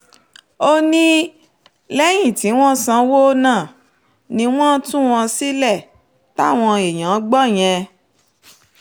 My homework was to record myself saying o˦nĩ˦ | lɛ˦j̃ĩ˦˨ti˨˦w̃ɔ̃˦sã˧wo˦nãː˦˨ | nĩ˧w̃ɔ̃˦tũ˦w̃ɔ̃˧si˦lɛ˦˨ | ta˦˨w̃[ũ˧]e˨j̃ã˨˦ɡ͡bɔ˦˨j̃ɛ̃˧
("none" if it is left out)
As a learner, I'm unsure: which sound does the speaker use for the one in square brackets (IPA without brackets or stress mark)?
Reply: ɔ̃˧